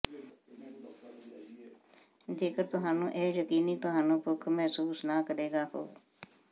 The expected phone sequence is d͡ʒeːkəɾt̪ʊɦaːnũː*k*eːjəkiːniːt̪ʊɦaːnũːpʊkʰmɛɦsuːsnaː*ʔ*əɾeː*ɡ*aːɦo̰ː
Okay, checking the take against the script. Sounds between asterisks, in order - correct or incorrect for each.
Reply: incorrect: ʔ, incorrect: k, correct

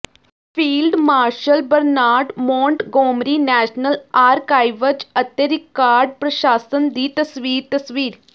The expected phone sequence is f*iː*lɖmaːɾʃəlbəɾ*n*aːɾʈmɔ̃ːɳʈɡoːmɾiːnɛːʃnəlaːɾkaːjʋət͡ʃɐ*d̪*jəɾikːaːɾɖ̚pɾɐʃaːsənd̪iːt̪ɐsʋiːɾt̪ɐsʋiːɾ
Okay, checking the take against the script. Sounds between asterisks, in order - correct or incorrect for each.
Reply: correct, correct, incorrect: t̪

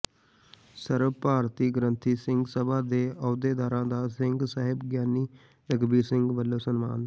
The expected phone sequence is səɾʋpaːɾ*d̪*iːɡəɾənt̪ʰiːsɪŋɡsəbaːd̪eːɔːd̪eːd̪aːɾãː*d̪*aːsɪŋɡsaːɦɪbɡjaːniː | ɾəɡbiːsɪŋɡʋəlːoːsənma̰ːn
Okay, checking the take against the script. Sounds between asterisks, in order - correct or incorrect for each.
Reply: incorrect: t̪, correct

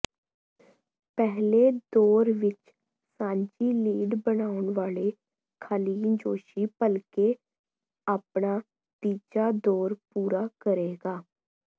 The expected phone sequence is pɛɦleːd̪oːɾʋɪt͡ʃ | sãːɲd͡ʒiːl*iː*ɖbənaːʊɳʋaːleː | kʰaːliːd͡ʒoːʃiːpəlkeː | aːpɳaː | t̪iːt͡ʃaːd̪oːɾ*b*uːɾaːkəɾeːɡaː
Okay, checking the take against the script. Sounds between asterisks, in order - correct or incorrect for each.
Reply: correct, incorrect: p

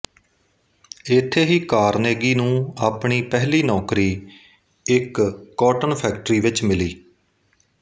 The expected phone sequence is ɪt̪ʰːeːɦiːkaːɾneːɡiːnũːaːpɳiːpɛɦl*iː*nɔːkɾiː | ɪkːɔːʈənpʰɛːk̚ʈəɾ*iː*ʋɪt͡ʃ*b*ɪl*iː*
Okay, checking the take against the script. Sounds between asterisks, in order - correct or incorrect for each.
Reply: correct, correct, incorrect: m, correct

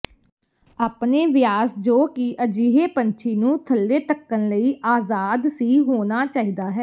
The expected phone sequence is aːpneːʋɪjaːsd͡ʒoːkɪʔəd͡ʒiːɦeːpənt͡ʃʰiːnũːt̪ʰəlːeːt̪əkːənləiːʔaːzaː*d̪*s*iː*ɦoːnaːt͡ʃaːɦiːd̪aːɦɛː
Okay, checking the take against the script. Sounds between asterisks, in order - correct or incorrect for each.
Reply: correct, correct

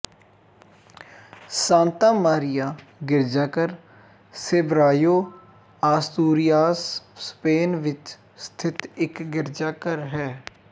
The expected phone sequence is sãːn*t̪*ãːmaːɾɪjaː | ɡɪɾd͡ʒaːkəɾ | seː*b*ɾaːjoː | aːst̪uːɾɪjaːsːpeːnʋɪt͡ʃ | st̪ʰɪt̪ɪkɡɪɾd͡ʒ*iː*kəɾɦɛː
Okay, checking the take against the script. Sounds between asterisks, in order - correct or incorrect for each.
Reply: correct, correct, incorrect: aː

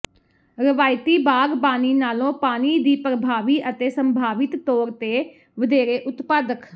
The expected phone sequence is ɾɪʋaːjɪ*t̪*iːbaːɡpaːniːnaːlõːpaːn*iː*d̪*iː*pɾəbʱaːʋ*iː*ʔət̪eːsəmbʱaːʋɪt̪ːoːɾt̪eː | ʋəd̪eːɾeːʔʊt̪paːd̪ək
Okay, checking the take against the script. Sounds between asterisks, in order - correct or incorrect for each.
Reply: correct, correct, correct, correct

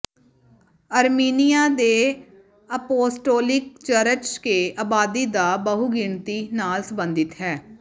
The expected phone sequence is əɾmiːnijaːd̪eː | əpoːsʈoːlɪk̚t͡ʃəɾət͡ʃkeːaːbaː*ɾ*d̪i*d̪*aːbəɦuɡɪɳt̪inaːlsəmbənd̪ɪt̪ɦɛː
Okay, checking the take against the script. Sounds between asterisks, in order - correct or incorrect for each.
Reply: incorrect: none, correct

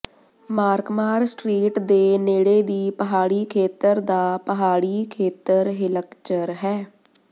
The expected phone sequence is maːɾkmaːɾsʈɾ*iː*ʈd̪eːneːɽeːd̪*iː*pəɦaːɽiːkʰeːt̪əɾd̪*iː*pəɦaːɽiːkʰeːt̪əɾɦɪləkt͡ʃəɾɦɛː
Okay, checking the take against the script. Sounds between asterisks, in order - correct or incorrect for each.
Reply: correct, correct, incorrect: aː

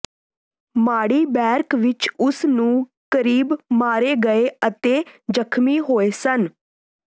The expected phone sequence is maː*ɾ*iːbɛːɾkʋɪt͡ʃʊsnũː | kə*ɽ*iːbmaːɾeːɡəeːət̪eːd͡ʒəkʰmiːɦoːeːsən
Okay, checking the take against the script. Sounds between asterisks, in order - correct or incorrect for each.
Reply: incorrect: ɽ, incorrect: ɾ

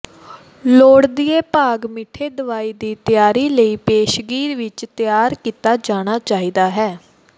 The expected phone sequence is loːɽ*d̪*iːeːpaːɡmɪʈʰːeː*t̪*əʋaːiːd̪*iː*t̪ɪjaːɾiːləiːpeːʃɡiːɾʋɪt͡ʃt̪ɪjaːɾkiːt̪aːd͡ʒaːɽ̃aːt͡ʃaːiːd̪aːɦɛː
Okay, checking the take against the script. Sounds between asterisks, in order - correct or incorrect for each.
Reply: correct, incorrect: d̪, correct

